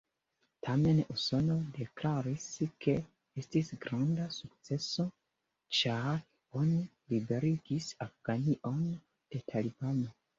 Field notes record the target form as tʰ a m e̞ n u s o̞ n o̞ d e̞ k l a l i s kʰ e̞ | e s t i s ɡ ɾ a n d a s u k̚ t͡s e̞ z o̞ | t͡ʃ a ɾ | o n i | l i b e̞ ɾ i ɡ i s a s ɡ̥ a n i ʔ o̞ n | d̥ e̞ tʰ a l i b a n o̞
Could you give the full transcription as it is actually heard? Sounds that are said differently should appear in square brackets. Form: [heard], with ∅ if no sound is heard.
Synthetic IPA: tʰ a m e̞ n u s o̞ n o̞ d e̞ k l a [ɾ] i s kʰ e̞ | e s t i s ɡ ɾ a n d a s u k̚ t͡s e̞ [s] o̞ | t͡ʃ a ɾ | o n i | l i b e̞ ɾ i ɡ i s a [f] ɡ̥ a n i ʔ o̞ n | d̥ e̞ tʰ a l i b a n o̞